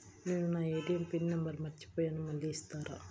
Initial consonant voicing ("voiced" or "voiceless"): voiced